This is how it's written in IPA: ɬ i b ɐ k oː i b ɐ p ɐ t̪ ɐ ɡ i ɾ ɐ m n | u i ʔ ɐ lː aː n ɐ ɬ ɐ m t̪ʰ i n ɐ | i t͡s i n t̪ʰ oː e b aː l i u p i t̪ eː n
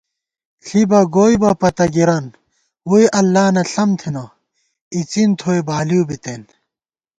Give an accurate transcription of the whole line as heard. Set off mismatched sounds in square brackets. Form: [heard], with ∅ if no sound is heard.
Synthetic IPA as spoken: ɬ i b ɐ [ɡ] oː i b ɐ p ɐ t̪ ɐ ɡ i ɾ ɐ [∅] n | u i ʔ ɐ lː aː n ɐ ɬ ɐ m t̪ʰ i n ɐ | i t͡s i n t̪ʰ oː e b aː l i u [b] i t̪ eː n

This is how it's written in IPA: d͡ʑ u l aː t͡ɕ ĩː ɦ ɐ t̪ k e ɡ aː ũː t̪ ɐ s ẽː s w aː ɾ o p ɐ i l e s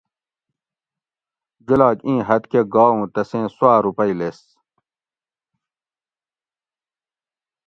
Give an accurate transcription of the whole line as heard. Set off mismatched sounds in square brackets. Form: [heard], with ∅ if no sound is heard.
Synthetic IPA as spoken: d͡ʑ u l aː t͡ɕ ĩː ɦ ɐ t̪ k e ɡ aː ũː t̪ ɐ s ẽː s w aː ɾ [u] p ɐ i l e s

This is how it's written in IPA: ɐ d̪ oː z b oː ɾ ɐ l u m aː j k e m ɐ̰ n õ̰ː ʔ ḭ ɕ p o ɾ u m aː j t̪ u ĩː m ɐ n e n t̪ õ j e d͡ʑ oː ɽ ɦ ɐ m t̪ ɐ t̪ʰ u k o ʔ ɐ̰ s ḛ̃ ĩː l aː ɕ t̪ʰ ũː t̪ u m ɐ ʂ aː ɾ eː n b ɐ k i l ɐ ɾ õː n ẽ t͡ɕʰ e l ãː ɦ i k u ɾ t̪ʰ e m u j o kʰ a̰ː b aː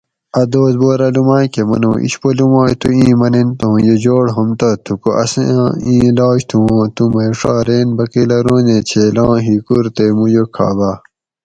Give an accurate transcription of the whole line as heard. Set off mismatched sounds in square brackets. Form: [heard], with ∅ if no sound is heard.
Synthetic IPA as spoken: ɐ d̪ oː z b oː ɾ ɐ l u m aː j k e m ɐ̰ n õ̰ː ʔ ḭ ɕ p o [l] u m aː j t̪ u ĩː m ɐ n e n t̪ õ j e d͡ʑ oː ɽ ɦ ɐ m t̪ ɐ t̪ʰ u k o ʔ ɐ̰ s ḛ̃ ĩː l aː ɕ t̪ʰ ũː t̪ u m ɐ ʂ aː ɾ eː n b ɐ k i l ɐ ɾ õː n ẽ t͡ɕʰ e l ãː ɦ i k u ɾ [t̪] e m u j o kʰ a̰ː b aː

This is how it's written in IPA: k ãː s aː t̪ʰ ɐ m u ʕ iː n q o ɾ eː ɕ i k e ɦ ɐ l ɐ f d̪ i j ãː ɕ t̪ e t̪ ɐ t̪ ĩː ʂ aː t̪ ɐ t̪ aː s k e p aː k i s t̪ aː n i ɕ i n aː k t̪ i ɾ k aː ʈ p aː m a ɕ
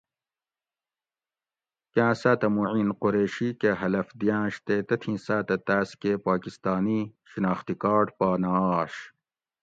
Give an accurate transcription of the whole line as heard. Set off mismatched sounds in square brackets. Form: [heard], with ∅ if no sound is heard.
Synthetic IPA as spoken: k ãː s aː [t̪] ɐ m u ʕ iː n q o ɾ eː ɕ i k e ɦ ɐ l ɐ f d̪ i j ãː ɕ t̪ e t̪ ɐ [t̪ʰ] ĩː [s] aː t̪ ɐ t̪ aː s k e p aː k i s t̪ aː n i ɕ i n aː [x] t̪ i [∅] k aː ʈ p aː [n] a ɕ

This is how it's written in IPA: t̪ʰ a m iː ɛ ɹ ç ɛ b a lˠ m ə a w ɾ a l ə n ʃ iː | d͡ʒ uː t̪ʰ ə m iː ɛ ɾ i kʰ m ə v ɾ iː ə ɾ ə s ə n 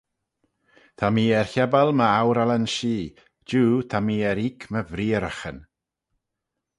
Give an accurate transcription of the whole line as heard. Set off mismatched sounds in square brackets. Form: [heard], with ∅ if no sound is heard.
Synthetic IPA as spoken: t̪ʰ a m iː ɛ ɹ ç ɛ b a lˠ m ə a w ɾ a l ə n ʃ iː | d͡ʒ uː t̪ʰ [a] m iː ɛ ɾ i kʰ m ə v ɾ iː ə ɾ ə [x] ə n

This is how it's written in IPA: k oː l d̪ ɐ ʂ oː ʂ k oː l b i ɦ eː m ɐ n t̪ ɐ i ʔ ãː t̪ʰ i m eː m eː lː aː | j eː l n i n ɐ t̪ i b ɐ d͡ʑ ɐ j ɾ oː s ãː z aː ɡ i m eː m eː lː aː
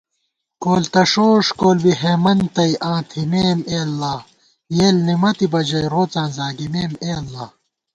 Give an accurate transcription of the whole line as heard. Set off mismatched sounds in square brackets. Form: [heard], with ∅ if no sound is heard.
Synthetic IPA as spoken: k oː l [t̪] ɐ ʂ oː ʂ k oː l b i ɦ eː m ɐ n t̪ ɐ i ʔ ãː t̪ʰ i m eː m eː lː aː | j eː l n i [m] ɐ t̪ i b ɐ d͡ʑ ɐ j ɾ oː [t͡s] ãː z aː ɡ i m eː m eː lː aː

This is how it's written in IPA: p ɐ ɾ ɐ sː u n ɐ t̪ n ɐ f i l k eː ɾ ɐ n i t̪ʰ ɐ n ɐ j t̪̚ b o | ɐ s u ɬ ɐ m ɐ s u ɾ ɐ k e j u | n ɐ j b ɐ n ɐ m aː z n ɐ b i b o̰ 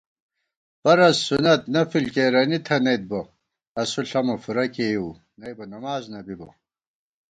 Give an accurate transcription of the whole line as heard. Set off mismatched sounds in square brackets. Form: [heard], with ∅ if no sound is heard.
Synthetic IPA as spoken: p ɐ ɾ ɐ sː u n ɐ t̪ n ɐ f i l k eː ɾ ɐ n i t̪ʰ ɐ n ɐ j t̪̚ b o | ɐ s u ɬ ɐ m ɐ [f] u ɾ ɐ k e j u | n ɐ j b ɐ n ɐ m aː z n ɐ b i b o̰

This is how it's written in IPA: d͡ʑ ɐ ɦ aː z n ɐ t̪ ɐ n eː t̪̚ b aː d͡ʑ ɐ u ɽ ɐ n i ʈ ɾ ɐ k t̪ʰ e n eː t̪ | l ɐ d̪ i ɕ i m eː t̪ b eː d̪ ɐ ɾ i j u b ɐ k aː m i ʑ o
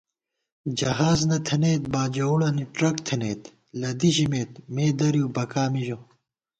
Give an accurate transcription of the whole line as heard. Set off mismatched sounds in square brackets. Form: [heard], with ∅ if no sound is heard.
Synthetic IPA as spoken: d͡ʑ ɐ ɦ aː z n ɐ [t̪ʰ] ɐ n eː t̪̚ b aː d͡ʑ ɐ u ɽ ɐ n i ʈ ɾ ɐ k t̪ʰ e n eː t̪ | l ɐ d̪ i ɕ i m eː t̪ [m] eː d̪ ɐ ɾ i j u b ɐ k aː m i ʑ o

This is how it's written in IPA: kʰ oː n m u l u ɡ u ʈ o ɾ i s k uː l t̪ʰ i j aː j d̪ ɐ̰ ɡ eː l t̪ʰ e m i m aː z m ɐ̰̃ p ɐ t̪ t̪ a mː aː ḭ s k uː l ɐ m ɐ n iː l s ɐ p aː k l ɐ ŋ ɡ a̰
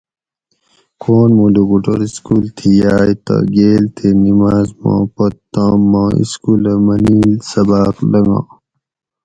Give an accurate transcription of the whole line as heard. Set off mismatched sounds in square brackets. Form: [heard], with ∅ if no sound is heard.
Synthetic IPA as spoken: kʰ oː n m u l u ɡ u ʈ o ɾ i s k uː l t̪ʰ i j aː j [t̪] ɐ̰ ɡ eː l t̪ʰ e [n] i m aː z m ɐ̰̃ p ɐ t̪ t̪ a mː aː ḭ s k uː l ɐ m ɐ n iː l s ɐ [b] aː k l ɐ ŋ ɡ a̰

